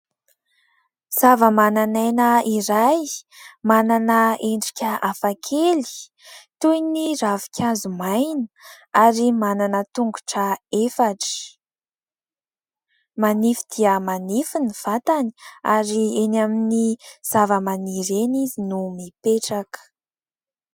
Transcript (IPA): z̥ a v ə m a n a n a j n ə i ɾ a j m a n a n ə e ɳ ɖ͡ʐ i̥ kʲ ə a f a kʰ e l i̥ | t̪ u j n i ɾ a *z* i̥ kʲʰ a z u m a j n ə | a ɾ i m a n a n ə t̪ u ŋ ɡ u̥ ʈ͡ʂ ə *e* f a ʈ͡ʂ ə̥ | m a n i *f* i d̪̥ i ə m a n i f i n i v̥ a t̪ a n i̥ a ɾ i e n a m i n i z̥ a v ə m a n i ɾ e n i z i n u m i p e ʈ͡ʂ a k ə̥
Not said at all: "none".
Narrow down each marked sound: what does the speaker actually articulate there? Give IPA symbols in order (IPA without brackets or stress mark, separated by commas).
v, e, f